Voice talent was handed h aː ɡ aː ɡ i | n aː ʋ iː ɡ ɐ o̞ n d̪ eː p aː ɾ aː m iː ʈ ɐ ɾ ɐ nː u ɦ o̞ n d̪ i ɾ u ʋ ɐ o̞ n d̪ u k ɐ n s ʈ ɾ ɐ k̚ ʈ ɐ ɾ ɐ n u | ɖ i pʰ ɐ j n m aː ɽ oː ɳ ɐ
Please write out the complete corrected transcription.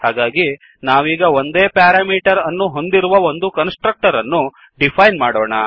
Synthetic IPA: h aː ɡ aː ɡ i | n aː ʋ iː ɡ ɐ o̞ n d̪ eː p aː ɾ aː m iː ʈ ɐ ɾ ɐ nː u ɦ o̞ n d̪ i ɾ u ʋ ɐ o̞ n d̪ u k ɐ n s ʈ ɾ ɐ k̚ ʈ ɐ ɾ ɐ nː u | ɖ i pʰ ɐ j n m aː ɽ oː ɳ ɐ

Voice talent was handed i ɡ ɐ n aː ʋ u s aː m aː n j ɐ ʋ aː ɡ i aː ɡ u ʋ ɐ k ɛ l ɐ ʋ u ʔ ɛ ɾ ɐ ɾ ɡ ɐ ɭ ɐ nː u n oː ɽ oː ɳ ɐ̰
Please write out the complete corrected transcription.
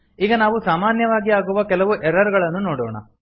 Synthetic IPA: iː ɡ ɐ n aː ʋ u s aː m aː n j ɐ ʋ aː ɡ i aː ɡ u ʋ ɐ k ɛ l ɐ ʋ u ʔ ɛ ɾ ɐ ɾ ɡ ɐ ɭ ɐ nː u n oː ɽ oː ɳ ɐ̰

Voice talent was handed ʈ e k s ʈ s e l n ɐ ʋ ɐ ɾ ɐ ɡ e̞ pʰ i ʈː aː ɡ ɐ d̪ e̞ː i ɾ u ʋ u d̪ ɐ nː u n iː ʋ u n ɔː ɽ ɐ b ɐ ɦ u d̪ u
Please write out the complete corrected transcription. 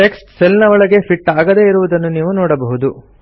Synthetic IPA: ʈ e k s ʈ s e l n ɐ ʋ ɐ ɭ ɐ ɡ e̞ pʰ i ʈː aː ɡ ɐ d̪ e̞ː i ɾ u ʋ u d̪ ɐ nː u n iː ʋ u n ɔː ɽ ɐ b ɐ ɦ u d̪ u

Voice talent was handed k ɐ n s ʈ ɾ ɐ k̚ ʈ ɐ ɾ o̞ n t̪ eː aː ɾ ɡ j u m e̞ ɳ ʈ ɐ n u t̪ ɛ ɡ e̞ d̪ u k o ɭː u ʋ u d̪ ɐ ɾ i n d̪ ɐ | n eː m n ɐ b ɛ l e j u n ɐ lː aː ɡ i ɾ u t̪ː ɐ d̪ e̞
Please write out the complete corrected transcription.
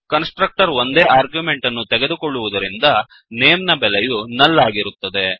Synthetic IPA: k ɐ n s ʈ ɾ ɐ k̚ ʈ ɐ ɾ o̞ n d̪ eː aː ɾ ɡ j u m e̞ ɳ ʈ ɐ nː u t̪ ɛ ɡ e̞ d̪ u k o ɭː u ʋ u d̪ ɐ ɾ i n d̪ ɐ | n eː m n ɐ b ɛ l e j u n ɐ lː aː ɡ i ɾ u t̪ː ɐ d̪ e̞

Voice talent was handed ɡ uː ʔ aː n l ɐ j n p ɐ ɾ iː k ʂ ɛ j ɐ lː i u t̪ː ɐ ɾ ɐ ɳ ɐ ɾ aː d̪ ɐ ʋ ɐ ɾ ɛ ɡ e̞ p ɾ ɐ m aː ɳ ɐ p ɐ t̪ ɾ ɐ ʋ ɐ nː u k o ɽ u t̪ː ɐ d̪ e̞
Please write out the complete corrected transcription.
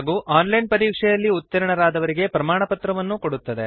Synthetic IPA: ɡ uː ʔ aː n l ɐ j n p ɐ ɾ iː k ʂ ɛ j ɐ lː i u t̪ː ɐ ɾ ɐ ɳ ɐ ɾ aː d̪ ɐ ʋ ɐ ɾ i ɡ e̞ p ɾ ɐ m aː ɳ ɐ p ɐ t̪ ɾ ɐ ʋ ɐ nː u k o ɽ u t̪ː ɐ d̪ e̞

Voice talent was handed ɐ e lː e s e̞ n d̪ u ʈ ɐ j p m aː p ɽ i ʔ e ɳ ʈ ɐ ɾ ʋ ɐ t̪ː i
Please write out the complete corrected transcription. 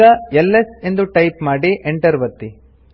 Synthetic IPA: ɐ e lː e s e̞ n d̪ u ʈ ɐ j p m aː ɽ i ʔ e ɳ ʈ ɐ ɾ ʋ ɐ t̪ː i

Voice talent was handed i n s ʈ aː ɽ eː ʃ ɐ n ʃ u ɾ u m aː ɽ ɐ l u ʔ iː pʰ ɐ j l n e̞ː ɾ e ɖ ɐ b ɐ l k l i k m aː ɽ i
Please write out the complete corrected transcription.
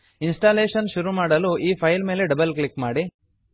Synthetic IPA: i n s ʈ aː l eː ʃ ɐ n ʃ u ɾ u m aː ɽ ɐ l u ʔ iː pʰ ɐ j l m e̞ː l e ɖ ɐ b ɐ l k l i k m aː ɽ i

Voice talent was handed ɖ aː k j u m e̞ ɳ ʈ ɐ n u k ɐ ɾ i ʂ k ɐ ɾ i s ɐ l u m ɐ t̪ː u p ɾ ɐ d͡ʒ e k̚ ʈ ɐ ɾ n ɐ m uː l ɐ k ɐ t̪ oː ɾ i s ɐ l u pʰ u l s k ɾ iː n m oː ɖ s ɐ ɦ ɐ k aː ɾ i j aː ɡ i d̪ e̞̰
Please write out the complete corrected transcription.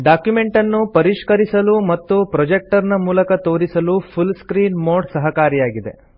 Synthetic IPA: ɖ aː k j u m e̞ ɳ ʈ ɐ nː u p ɐ ɾ i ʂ k ɐ ɾ i s ɐ l u m ɐ t̪ː u p ɾ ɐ d͡ʒ e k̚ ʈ ɐ ɾ n ɐ m uː l ɐ k ɐ t̪ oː ɾ i s ɐ l u pʰ u l s k ɾ iː n m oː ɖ s ɐ ɦ ɐ k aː ɾ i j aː ɡ i d̪ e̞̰

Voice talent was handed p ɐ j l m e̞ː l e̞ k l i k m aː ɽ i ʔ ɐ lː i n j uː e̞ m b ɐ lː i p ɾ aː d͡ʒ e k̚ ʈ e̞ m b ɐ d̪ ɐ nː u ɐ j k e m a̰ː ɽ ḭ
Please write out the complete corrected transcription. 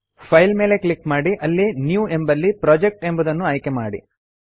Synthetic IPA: pʰ ɐ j l m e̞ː l e̞ k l i k m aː ɽ i ʔ ɐ lː i n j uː e̞ m b ɐ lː i p ɾ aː d͡ʒ e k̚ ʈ e̞ m b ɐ d̪ ɐ nː u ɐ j k e m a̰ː ɽ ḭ

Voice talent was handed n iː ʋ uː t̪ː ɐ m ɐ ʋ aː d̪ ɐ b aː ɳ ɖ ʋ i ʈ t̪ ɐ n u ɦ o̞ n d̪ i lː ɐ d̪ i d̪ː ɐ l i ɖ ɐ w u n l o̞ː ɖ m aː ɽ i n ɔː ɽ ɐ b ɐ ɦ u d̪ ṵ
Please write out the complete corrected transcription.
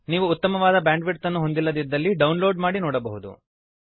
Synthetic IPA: n iː ʋ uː t̪ː ɐ m ɐ ʋ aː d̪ ɐ b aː ɳ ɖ ʋ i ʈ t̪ ɐ nː u ɦ o̞ n d̪ i lː ɐ d̪ i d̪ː ɐ lː i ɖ ɐ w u n l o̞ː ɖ m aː ɽ i n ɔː ɽ ɐ b ɐ ɦ u d̪ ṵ

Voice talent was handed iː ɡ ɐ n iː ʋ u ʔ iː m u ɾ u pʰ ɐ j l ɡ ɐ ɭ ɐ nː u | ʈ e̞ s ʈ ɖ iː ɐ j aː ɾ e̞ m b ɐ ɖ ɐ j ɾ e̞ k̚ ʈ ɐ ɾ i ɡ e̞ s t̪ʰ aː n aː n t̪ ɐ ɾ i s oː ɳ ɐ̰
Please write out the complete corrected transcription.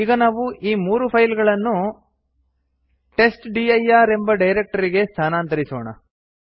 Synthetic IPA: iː ɡ ɐ n aː ʋ u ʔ iː m uː ɾ u pʰ ɐ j l ɡ ɐ ɭ ɐ nː u | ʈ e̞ s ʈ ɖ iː ɐ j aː ɾ e̞ m b ɐ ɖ ɐ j ɾ e̞ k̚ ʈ ɐ ɾ i ɡ e̞ s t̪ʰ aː n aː n t̪ ɐ ɾ i s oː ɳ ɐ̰

